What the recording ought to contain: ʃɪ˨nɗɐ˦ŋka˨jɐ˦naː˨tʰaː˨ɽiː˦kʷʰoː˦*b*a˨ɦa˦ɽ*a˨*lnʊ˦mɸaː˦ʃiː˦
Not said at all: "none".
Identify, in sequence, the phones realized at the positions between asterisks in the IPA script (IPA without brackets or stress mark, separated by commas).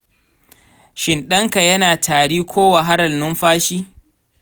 w, ɐ˨